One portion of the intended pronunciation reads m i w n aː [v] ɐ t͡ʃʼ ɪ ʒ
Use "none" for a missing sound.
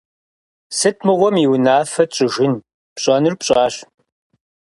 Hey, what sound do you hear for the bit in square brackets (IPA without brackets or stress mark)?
f